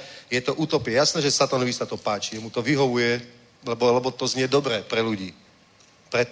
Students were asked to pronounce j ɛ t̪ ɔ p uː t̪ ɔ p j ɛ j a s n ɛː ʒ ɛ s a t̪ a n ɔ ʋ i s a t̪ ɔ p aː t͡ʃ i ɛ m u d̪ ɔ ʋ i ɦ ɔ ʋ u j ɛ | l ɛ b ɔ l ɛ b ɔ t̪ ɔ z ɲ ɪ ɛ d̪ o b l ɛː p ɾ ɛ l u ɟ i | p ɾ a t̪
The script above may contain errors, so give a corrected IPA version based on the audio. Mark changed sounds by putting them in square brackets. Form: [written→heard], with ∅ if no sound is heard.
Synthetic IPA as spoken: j ɛ t̪ ɔ [p→ʔ] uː t̪ ɔ p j ɛ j a s n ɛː ʒ ɛ s a t̪ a n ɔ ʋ i s a t̪ ɔ p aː t͡ʃ i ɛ m u [d̪→t̪] ɔ ʋ i ɦ ɔ ʋ u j ɛ | l ɛ b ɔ l ɛ b ɔ t̪ ɔ z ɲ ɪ ɛ d̪ [o→ɔ] b [l→ɾ] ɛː p ɾ ɛ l u ɟ [i→iː] | p ɾ [a→ɛ] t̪